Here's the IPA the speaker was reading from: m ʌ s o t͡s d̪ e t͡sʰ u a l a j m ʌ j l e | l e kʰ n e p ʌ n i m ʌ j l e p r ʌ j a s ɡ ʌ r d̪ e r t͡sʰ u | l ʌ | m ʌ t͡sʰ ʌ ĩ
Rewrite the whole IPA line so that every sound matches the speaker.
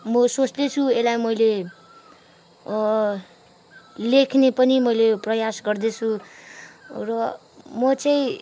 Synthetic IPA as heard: m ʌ s o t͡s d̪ e t͡sʰ u e l a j m ʌ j l e | l e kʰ n e p ʌ n i m ʌ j l e p r ʌ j a s ɡ ʌ r d̪ e t͡sʰ u | r ʌ | m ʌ t͡s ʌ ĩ